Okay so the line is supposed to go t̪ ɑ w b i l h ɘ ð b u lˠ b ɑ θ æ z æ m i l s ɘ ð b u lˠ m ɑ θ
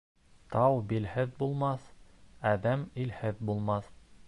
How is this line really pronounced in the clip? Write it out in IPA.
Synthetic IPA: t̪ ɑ w b i l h ɘ ð b u lˠ m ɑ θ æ ð æ m i l h ɘ ð b u lˠ m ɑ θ